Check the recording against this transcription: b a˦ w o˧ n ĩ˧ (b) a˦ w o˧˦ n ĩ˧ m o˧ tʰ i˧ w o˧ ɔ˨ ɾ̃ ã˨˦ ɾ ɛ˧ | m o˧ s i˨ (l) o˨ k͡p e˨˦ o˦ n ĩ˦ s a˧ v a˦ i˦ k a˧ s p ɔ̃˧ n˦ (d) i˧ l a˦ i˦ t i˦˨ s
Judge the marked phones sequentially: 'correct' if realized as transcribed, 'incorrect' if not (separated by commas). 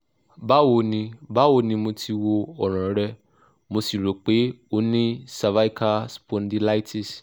correct, incorrect, correct